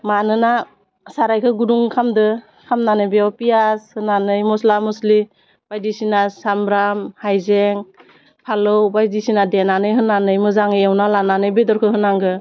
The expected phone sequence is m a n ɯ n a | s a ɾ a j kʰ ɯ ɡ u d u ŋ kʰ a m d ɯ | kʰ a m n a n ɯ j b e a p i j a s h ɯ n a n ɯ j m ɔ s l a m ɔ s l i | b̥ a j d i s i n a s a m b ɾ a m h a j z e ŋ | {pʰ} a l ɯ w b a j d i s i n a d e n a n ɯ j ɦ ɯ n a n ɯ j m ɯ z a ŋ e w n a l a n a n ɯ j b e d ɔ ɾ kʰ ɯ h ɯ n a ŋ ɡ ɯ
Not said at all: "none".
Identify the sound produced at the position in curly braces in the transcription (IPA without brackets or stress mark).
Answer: pʰ